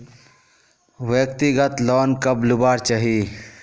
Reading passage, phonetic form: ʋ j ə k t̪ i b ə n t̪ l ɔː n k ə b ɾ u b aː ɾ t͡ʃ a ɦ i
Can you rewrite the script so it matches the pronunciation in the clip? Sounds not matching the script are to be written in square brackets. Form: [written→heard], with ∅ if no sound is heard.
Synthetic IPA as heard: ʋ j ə k t̪ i [b→ɡ] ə [n→∅] t̪ l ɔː n k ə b [ɾ→l] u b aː ɾ t͡ʃ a ɦ i